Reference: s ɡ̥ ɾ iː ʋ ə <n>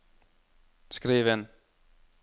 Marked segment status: correct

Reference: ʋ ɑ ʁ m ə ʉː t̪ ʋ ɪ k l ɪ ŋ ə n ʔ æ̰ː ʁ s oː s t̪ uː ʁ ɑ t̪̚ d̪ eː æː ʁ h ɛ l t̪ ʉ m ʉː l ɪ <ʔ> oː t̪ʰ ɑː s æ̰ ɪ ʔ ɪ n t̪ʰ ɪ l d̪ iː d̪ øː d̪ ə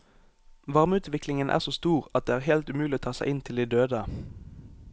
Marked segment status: incorrect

